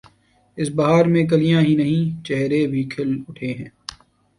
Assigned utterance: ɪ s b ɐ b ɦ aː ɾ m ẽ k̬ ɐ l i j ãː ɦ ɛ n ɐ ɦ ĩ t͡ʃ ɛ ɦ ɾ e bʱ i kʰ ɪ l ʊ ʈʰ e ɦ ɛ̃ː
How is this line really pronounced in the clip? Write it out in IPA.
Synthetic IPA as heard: ɪ s b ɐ ɦ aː ɾ m ẽ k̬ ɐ l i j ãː ɦ i n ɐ ɦ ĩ t͡ʃ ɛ ɦ ɾ e bʱ i kʰ ɪ l ʊ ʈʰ e ɦ ɛ̃ː